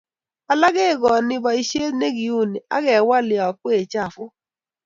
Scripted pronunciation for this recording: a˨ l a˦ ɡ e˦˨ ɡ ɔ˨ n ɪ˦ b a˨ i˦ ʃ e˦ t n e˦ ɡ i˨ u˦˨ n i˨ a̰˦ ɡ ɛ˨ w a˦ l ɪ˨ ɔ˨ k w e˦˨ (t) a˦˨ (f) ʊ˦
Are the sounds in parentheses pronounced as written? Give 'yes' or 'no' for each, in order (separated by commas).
no, yes